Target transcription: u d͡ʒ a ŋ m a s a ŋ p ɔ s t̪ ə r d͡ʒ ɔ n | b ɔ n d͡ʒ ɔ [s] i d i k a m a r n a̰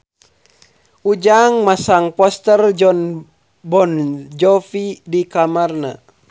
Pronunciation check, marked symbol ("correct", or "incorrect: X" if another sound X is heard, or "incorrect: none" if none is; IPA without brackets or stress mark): incorrect: f